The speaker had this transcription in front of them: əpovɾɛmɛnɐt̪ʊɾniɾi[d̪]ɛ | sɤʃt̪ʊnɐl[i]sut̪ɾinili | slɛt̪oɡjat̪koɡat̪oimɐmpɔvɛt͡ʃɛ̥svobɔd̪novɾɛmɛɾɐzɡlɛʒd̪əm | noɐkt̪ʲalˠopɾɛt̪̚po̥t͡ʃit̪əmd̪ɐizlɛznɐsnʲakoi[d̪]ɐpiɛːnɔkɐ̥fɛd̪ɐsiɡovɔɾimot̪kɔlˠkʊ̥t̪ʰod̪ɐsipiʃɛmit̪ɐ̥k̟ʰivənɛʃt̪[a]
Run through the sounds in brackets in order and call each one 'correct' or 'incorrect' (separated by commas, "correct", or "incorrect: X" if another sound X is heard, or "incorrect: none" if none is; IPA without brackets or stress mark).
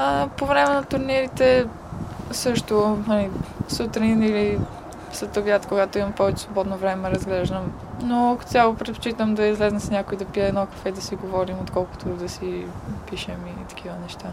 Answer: incorrect: t̪, correct, correct, correct